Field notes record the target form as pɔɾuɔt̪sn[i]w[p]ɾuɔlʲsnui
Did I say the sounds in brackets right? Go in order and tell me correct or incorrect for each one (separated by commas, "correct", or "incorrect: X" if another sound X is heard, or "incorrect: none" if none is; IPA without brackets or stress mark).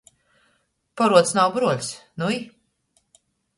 incorrect: a, incorrect: b